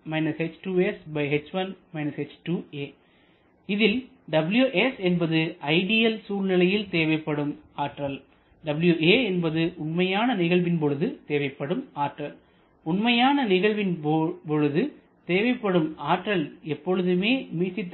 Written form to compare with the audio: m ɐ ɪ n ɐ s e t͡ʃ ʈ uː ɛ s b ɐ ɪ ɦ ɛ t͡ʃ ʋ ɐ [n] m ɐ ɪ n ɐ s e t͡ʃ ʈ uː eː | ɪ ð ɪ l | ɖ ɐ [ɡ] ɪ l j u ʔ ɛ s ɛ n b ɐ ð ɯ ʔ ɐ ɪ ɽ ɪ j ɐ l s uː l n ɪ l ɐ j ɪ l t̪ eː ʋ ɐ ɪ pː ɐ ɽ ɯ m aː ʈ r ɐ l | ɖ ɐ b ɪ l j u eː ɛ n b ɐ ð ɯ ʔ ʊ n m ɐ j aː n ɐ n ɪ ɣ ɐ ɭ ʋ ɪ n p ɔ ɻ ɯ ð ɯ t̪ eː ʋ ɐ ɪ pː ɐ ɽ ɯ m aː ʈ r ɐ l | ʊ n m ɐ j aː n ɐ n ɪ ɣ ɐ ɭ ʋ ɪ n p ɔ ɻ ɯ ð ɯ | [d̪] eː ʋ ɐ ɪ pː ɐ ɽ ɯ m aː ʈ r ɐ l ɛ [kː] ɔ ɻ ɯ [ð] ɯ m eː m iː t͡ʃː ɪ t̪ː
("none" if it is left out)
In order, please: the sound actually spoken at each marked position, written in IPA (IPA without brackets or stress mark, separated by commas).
n, b, t̪, pː, ð